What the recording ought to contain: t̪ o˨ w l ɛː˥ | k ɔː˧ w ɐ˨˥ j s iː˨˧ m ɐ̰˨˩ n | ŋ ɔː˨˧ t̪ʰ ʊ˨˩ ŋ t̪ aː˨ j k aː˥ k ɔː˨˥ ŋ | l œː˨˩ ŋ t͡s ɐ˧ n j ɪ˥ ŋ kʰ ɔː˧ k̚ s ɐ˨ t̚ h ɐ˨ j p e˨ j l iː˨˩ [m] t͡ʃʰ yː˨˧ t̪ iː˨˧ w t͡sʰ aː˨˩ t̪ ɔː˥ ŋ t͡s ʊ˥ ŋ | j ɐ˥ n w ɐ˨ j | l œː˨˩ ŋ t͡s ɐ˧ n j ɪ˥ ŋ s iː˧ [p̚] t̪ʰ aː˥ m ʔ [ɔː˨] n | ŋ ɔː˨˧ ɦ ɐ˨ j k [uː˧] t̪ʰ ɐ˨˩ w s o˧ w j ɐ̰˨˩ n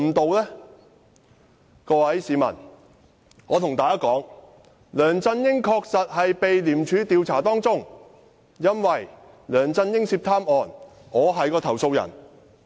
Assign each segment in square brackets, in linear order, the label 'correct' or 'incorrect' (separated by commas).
correct, correct, correct, incorrect